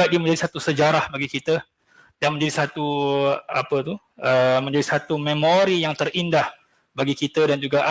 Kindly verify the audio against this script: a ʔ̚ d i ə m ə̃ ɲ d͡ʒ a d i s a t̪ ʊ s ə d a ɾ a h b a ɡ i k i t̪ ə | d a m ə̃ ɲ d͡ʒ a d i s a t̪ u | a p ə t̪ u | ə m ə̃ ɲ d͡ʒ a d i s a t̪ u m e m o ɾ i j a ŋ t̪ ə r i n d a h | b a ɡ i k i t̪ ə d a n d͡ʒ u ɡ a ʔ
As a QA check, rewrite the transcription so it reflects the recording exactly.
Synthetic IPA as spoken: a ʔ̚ d i ə m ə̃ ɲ d͡ʒ a d i s a t̪ u s ə d͡ʒ a ɾ a h b a ɡ i k i t̪ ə | d a m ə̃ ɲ d͡ʒ a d i s a t̪ u | a p ə t̪ u | ə m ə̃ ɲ d͡ʒ a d i s a t̪ u m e m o ɾ i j a ŋ t̪ ə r i n d a h | b a ɡ i k i t̪ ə d a n d͡ʒ u ɡ a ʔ